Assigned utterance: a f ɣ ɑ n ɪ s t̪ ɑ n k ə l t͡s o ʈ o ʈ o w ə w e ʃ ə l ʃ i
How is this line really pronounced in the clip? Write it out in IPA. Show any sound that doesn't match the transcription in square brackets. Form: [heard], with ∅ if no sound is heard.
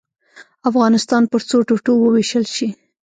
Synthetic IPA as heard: a f ɣ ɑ n ɪ s t̪ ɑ n [p] ə [ɾ] t͡s o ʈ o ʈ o w ə w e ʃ ə l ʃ i